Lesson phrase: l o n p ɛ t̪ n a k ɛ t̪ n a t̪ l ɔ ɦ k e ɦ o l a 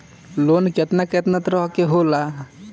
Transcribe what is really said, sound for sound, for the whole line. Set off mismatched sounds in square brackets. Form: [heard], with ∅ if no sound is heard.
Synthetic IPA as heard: l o n [k] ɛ t̪ n a k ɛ t̪ n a t̪ [ɾ] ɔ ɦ k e ɦ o l a